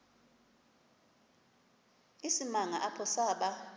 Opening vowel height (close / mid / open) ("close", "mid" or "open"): close